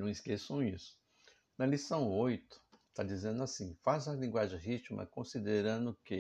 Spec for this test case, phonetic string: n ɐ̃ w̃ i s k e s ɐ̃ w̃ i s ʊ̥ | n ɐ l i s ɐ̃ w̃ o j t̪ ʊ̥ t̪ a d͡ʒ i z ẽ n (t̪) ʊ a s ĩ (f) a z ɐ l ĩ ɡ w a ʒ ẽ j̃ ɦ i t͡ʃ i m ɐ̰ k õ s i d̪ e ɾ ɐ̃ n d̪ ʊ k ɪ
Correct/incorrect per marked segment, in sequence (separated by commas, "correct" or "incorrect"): incorrect, correct